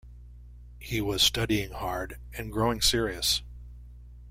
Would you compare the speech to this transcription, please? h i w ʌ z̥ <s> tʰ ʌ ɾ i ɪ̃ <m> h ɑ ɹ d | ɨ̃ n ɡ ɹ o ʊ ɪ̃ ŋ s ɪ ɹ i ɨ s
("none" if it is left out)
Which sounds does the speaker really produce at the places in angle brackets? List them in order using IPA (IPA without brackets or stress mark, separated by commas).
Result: s, ŋ